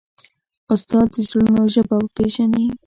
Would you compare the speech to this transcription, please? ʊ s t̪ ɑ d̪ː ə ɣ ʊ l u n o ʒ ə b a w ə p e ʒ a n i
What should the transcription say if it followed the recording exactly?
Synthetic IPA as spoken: ʊ s t̪ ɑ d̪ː ə z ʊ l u n o ʒ ə b a w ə p e ʒ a n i